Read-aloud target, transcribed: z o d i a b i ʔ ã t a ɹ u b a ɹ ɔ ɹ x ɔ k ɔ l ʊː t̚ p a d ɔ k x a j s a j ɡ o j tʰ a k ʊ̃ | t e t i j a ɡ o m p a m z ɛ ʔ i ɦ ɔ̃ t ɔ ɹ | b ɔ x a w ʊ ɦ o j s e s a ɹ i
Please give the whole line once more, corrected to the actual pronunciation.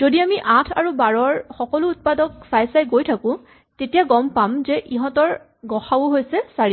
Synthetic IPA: z o d i a m i ʔ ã tʰ a ɹ u b a ɹ ɔ ɹ x ɔ k ɔ l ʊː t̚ p a d ɔ k s a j s a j ɡ o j tʰ a k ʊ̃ | t e t i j a ɡ ɔ m p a m z ɛ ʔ i ɦ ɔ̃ t ɔ ɹ | ɡ ɔ x a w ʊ ɦ o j s ɛ s a ɹ i

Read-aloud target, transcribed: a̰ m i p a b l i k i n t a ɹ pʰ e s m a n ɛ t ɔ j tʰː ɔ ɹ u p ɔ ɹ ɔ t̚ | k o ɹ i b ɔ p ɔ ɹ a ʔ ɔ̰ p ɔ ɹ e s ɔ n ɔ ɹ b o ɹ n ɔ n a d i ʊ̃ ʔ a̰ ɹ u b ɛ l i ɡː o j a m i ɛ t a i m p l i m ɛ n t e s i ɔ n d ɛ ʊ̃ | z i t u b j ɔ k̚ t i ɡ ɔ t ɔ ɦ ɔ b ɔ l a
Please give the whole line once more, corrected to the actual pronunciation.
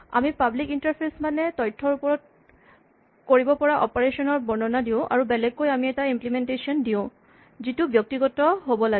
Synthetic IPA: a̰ m i p a b l i k i n t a ɹ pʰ e s m a n ɛ t ɔ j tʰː ɔ ɹ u p ɔ ɹ ɔ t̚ | k o ɹ i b ɔ p ɔ ɹ a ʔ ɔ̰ p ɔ ɹ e s ɔ n ɔ ɹ b ɔ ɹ n ɔ n a d i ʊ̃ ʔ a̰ ɹ u b ɛ l ɛ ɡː o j a m i ɛ t a i m p l i m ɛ n t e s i ɔ n d i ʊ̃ | z i t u b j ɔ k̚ t i ɡ ɔ t ɔ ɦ o b ɔ l a

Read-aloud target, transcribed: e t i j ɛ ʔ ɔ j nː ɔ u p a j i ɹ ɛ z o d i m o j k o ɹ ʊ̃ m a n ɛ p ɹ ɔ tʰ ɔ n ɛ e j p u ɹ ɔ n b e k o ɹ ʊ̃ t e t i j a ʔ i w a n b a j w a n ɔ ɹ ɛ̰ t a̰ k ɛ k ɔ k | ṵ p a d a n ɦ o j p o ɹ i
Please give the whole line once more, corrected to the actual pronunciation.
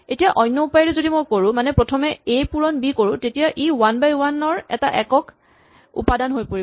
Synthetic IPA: e t i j a ʔ ɔ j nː ɔ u p a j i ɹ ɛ z o d i m o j k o ɹ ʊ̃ m a n ɛ p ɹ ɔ tʰ ɔ m ɛ e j p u ɹ ɔ n b i k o ɹ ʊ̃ t e t i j a ʔ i w a n b a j w a n ɔ ɹ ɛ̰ t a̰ ʔ ɛ k ɔ k | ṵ p a d a n ɦ o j p o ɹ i

